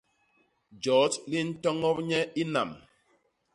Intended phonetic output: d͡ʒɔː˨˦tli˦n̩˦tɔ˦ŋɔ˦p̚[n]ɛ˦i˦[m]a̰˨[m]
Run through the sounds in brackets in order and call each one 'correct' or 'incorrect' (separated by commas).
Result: incorrect, incorrect, correct